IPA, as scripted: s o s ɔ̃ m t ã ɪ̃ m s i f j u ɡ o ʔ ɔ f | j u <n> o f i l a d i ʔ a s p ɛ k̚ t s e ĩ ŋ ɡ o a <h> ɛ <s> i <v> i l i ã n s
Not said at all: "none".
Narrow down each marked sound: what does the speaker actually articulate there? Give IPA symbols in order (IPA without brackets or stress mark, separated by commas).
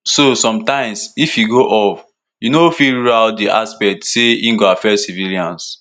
n, f, s, v